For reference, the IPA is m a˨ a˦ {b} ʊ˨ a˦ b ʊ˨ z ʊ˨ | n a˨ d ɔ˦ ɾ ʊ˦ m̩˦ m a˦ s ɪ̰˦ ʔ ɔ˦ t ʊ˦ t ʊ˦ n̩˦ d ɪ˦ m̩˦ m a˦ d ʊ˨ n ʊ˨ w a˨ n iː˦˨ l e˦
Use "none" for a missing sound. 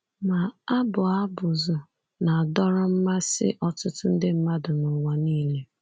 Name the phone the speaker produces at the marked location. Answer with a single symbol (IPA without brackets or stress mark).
b